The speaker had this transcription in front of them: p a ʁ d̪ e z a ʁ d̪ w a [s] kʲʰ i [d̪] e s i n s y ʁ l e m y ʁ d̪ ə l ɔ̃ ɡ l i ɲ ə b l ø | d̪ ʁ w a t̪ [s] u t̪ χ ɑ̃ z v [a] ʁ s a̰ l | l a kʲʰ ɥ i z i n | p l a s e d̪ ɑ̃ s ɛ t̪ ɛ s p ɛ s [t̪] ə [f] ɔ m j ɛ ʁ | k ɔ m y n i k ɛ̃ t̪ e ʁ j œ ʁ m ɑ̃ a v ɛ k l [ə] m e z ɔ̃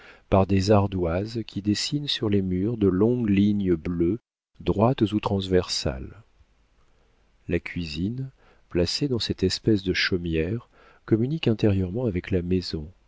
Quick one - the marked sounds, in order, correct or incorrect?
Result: incorrect: z, correct, incorrect: z, incorrect: ɛ, incorrect: d̪, incorrect: ʃ, incorrect: a

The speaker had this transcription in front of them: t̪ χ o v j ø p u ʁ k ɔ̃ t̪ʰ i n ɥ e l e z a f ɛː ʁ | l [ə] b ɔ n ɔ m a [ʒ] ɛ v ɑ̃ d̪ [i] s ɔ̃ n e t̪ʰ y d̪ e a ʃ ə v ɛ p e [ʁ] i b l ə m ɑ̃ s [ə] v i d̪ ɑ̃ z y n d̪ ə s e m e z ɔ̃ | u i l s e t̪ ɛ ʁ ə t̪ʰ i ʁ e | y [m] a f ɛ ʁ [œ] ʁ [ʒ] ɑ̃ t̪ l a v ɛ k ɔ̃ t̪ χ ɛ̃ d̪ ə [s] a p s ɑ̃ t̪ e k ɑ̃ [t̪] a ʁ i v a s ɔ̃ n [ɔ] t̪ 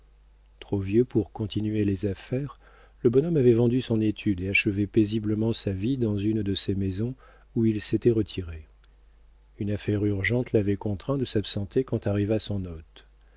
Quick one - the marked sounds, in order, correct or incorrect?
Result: correct, incorrect: v, incorrect: y, incorrect: z, incorrect: a, incorrect: n, incorrect: y, correct, correct, correct, correct

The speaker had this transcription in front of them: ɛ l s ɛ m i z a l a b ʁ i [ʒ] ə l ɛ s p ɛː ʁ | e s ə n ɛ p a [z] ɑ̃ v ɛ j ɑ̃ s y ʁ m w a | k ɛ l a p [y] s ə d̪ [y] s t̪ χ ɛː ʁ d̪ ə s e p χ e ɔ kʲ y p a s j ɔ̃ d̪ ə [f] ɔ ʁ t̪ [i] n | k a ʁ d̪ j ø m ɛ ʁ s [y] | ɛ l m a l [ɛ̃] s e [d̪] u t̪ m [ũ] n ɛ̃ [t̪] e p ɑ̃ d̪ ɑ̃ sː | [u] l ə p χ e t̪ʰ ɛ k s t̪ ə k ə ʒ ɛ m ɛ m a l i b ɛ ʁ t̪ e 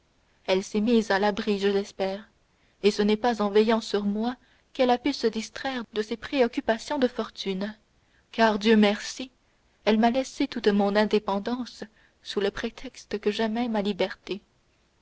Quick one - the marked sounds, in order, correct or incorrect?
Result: correct, correct, correct, incorrect: i, correct, incorrect: y, incorrect: i, incorrect: ɛ, incorrect: t̪, incorrect: ɔ̃, incorrect: d̪, correct

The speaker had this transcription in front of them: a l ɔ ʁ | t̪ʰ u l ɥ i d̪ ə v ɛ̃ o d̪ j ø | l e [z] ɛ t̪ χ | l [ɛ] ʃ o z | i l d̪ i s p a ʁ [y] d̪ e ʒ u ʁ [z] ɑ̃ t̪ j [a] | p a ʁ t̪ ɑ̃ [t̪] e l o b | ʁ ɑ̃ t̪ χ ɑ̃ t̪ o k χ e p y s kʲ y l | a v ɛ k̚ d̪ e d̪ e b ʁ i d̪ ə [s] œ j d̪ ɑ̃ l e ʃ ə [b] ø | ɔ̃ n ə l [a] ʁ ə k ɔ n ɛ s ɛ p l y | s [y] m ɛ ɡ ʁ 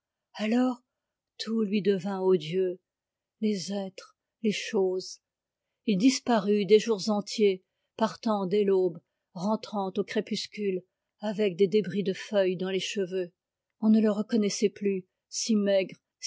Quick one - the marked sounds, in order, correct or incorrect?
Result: correct, incorrect: e, correct, correct, incorrect: e, incorrect: d̪, incorrect: f, incorrect: v, incorrect: ə, incorrect: i

